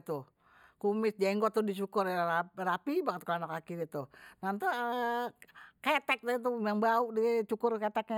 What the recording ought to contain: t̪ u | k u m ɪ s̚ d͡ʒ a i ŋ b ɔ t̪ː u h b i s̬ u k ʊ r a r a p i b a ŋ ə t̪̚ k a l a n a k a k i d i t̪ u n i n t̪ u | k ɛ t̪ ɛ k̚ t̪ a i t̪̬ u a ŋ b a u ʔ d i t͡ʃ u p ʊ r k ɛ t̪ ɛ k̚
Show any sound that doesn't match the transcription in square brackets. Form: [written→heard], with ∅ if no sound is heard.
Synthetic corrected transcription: t̪ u | k u m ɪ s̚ d͡ʒ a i ŋ [b→ɡ] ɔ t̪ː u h [b→d] i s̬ u k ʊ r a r a p i b a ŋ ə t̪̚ k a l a n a k a k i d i t̪ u n [i→a] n t̪ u | k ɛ t̪ ɛ k̚ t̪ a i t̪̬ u a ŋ b a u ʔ d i t͡ʃ u [p→k] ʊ r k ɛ t̪ ɛ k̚

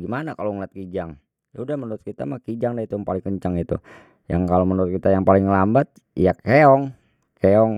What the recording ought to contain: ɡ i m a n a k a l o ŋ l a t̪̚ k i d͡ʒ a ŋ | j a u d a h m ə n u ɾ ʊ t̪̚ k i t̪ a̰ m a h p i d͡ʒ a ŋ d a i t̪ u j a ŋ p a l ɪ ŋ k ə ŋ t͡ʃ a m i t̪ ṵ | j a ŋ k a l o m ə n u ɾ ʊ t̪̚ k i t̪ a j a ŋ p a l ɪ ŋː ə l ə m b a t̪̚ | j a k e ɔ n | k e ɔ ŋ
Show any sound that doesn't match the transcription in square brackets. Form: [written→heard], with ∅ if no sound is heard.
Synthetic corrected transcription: ɡ i m a n a k a l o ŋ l a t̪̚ k i d͡ʒ a ŋ | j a u d a h m ə n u ɾ ʊ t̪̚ k i t̪ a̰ m a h [p→k] i d͡ʒ a ŋ d a i t̪ u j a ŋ p a l ɪ ŋ k ə [ŋ→ɲ] t͡ʃ a [m→ŋ] i t̪ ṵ | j a ŋ k a l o m ə n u ɾ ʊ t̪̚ k i t̪ a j a ŋ p a l ɪ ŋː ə l [ə→a] m b a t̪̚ | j a k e ɔ [n→ŋ] | k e ɔ ŋ

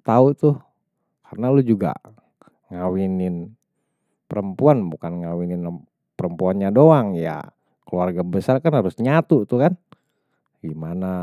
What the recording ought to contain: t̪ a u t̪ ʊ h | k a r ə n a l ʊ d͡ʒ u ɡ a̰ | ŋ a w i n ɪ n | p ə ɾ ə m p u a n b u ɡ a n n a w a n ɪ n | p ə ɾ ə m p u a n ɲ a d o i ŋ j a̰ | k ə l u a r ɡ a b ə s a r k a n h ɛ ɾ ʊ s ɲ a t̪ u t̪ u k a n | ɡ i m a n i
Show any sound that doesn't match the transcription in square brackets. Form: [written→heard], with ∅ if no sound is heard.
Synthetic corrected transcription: t̪ a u t̪ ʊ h | k a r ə n a l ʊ d͡ʒ u ɡ a̰ | ŋ a w i n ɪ n | p ə ɾ ə m p u a n b u [ɡ→k] a n [n→ŋ] a w [a→i] n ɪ n | p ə ɾ ə m p u a n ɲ a d o [i→a] ŋ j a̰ | k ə l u a r ɡ a b ə s a r k a n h [ɛ→a] ɾ ʊ s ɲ a t̪ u t̪ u k a n | ɡ i m a n [i→a]

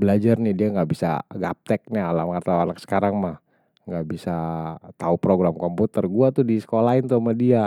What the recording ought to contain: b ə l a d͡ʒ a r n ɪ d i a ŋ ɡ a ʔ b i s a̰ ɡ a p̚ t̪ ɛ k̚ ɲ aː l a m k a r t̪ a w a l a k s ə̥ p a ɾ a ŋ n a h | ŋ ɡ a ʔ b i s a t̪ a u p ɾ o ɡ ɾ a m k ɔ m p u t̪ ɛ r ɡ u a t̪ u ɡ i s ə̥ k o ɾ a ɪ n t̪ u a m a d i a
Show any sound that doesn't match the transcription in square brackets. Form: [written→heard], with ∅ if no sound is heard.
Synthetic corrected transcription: b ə l a d͡ʒ a r n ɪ d i a ŋ ɡ a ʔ b i s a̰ ɡ a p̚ t̪ ɛ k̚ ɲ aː l a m k a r t̪ a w a l a k s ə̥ [p→k] a ɾ a ŋ [n→m] a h | ŋ ɡ a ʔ b i s a t̪ a u p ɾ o ɡ ɾ a m k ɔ m p u t̪ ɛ r ɡ u a t̪ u [ɡ→d] i s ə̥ k o [ɾ→l] a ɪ n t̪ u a m a d i a

